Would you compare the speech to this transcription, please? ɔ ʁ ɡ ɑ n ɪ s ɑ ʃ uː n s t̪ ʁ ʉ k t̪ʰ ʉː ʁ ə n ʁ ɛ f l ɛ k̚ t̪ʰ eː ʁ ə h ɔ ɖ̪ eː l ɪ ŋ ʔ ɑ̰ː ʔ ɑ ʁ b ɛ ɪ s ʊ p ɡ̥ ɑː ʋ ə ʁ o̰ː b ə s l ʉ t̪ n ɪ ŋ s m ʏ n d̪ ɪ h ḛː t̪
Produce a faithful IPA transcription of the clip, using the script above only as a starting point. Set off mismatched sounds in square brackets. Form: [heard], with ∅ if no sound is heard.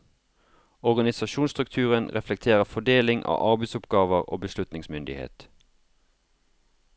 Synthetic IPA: ɔ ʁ ɡ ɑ n ɪ s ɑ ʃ uː n s t̪ ʁ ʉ k t̪ʰ ʉː ʁ ə n ʁ ɛ f l ɛ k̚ t̪ʰ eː ʁ ə [f] ɔ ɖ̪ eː l ɪ ŋ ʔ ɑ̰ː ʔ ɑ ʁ b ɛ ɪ s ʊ p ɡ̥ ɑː ʋ ə ʁ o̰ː b ə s l ʉ t̪ n ɪ ŋ s m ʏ n d̪ ɪ h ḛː t̪